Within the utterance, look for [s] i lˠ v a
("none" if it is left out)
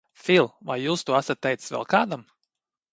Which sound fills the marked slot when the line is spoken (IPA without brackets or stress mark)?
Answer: f